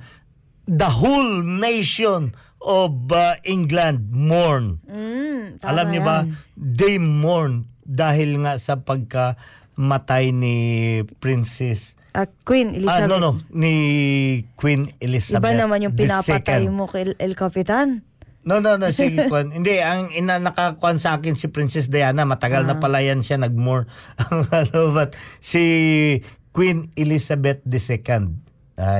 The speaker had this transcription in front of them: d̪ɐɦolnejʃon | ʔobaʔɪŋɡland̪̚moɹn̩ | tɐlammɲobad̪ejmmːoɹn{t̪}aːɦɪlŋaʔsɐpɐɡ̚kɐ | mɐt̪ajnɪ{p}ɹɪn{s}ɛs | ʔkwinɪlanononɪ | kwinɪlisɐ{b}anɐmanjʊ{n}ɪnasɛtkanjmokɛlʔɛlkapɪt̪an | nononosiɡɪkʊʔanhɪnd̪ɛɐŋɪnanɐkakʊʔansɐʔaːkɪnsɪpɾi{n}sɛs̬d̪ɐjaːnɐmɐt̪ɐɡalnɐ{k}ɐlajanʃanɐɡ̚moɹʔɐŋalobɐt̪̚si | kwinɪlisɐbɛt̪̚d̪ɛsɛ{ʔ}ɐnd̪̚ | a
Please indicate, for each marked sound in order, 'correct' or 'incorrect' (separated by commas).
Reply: incorrect, correct, correct, correct, incorrect, correct, incorrect, incorrect